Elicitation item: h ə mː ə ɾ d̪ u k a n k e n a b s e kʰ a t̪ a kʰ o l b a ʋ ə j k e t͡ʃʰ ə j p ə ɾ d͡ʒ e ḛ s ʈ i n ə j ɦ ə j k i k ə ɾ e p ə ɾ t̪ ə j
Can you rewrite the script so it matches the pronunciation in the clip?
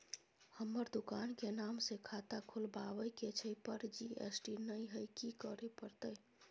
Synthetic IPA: h ə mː ə ɾ d̪ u k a n k e n a m s e kʰ a t̪ a kʰ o l b a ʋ ə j k e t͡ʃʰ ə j p ə ɾ d͡ʒ i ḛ s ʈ i n ə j ɦ ə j k i k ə ɾ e p ə ɾ t̪ ə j